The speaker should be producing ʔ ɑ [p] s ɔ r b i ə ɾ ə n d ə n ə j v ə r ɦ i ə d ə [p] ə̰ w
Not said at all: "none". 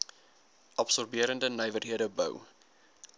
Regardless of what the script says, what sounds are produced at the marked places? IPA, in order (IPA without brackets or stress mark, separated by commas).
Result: p, b